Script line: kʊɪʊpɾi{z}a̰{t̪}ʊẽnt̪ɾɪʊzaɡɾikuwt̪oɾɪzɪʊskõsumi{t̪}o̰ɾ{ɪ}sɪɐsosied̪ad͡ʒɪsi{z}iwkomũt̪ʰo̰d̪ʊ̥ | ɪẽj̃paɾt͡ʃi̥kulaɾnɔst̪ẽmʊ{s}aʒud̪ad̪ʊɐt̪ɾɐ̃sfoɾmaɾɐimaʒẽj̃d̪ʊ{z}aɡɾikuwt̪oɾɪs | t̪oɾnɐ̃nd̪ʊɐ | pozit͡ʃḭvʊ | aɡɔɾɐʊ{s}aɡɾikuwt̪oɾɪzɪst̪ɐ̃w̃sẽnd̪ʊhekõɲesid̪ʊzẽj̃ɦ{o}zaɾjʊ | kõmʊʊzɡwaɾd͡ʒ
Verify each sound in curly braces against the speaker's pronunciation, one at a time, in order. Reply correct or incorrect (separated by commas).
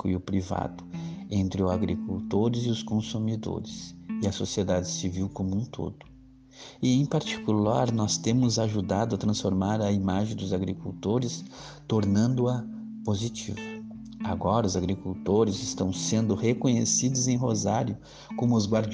incorrect, incorrect, incorrect, correct, incorrect, incorrect, correct, incorrect, correct